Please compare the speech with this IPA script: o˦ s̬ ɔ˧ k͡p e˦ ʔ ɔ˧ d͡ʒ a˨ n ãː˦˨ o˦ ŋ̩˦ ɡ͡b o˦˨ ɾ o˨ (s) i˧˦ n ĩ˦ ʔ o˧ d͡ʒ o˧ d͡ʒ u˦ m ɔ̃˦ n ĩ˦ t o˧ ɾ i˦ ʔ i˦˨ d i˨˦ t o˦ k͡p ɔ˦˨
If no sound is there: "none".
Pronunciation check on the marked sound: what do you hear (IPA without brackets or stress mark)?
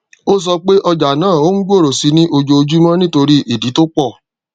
s